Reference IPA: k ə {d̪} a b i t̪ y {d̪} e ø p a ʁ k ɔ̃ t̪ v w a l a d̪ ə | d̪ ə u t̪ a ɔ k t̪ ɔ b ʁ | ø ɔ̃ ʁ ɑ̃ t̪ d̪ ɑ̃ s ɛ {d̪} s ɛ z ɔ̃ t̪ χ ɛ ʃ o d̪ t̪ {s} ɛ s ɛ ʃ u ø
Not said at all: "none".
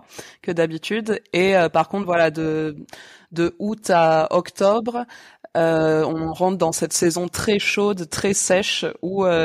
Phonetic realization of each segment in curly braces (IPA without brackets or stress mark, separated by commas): d̪, d̪, t̪, χ